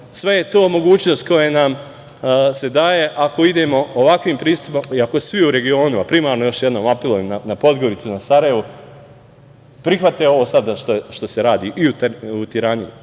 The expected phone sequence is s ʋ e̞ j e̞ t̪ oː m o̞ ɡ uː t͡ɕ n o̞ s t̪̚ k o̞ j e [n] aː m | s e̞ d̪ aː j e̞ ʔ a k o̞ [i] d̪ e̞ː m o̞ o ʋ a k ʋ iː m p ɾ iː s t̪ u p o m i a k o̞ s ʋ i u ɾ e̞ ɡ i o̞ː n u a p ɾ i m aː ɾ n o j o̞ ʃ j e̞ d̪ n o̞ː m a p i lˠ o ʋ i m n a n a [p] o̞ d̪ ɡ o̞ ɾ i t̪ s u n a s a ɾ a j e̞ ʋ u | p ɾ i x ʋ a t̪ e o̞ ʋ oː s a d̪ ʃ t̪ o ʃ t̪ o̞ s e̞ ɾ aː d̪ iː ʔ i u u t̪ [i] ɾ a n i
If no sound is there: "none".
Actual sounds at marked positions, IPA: n, i, p, i

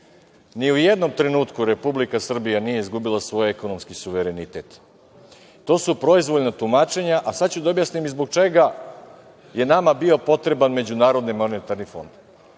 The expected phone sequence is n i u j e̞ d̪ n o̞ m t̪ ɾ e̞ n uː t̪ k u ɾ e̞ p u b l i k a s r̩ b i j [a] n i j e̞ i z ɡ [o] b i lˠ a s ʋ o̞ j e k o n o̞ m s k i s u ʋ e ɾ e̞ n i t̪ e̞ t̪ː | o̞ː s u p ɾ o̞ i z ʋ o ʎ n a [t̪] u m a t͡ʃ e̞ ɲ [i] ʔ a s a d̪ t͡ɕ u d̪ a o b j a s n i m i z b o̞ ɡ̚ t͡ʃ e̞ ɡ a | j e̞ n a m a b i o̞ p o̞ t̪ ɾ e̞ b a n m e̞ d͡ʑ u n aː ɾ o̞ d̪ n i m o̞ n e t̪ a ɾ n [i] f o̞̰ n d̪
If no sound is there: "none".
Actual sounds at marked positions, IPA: a, u, t̪, a, i

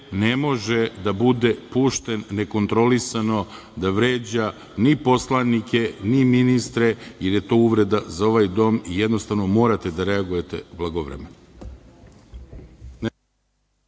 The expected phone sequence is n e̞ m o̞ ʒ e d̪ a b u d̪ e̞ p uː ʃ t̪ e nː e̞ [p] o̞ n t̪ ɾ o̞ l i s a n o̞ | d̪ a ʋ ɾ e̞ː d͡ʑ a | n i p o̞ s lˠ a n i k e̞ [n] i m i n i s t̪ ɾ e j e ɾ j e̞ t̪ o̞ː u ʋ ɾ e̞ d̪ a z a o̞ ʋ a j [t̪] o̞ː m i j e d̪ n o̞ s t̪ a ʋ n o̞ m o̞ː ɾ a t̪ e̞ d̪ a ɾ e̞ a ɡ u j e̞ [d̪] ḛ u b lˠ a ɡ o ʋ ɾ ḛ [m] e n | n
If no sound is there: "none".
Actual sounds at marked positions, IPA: k, n, d̪, t̪, m

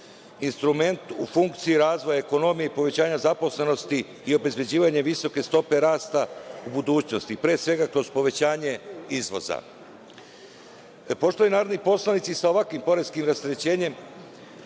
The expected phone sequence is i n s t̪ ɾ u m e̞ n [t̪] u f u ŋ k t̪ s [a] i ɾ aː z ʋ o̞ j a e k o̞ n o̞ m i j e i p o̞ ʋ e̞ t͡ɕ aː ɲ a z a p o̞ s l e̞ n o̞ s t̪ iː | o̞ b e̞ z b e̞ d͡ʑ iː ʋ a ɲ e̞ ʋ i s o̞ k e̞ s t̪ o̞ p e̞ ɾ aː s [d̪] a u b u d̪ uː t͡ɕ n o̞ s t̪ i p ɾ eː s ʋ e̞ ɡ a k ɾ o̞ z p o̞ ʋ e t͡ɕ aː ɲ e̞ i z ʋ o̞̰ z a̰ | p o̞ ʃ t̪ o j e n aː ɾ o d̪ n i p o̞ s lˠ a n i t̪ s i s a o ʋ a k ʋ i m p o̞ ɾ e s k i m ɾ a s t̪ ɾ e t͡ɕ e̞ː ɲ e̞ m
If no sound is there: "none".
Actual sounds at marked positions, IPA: t̪, i, t̪

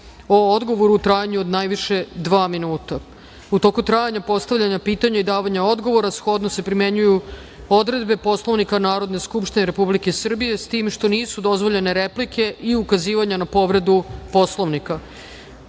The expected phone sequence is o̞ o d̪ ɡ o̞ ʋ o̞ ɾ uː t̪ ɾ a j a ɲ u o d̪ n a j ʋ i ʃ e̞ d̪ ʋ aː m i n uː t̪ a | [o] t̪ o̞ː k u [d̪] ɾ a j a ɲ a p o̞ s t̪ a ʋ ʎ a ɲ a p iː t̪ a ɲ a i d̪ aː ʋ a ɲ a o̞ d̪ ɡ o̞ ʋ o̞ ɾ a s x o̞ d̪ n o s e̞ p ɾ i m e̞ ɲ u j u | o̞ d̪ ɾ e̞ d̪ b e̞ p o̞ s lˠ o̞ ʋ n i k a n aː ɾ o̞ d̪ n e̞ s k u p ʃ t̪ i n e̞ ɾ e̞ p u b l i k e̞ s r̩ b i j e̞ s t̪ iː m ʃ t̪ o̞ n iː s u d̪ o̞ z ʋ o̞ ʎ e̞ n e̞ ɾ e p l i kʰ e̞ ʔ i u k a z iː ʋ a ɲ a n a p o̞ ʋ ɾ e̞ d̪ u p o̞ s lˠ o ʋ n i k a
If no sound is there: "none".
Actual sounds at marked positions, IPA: u, t̪

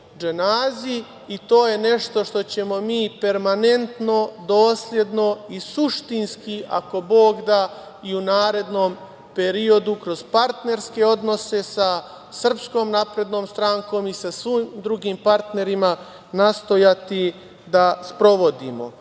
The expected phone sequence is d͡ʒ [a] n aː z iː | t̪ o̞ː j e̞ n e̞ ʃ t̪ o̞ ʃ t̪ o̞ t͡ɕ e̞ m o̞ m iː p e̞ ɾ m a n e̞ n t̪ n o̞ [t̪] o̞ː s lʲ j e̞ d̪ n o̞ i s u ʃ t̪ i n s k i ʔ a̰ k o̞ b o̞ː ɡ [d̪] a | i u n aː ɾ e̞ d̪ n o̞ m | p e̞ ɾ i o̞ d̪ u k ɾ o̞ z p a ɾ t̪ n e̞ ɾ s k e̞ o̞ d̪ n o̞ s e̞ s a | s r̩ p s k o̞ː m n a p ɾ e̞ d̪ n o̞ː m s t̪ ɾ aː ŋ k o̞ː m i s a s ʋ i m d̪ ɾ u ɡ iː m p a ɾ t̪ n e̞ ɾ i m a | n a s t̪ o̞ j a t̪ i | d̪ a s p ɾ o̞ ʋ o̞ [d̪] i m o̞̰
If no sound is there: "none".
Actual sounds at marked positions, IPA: e, d̪, d̪, d̪

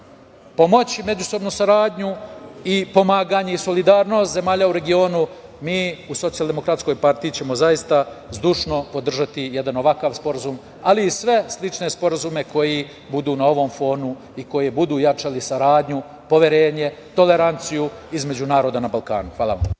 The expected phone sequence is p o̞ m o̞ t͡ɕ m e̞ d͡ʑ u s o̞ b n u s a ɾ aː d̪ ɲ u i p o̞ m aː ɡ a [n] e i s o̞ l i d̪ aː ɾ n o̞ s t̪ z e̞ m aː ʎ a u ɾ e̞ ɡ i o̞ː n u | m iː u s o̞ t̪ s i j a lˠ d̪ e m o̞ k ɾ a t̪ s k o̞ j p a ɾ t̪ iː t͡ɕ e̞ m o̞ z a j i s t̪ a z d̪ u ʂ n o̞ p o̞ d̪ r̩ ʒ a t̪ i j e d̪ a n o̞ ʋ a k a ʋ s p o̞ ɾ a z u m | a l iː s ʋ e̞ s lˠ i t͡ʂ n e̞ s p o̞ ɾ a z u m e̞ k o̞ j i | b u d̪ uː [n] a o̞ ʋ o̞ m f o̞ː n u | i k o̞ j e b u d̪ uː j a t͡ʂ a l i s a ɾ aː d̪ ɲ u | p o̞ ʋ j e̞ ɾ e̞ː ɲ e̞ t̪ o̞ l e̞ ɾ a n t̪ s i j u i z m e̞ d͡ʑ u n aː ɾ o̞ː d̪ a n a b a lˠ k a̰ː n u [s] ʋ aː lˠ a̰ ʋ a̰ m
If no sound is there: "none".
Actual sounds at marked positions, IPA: ɲ, n, x

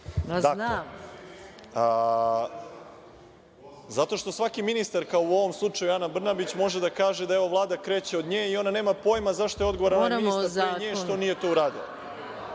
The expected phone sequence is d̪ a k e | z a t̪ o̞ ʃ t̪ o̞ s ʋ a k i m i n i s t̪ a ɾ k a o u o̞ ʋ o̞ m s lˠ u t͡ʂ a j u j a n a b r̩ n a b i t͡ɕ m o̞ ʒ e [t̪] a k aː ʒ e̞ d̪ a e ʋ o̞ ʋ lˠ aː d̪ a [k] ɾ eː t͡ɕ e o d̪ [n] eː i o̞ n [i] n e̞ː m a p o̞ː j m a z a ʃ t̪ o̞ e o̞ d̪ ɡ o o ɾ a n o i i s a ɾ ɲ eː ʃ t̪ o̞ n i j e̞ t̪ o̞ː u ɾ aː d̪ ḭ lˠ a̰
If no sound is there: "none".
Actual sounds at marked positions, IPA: d̪, k, ɲ, a

